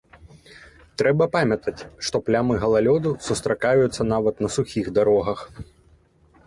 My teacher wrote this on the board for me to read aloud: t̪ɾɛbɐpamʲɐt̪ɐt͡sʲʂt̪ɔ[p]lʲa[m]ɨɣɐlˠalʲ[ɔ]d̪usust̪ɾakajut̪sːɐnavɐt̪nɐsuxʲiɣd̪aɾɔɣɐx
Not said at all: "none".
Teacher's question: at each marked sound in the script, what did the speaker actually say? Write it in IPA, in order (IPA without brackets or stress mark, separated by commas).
p, m, ɔ